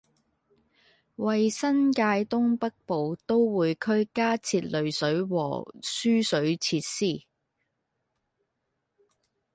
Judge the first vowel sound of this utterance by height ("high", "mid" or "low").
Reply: low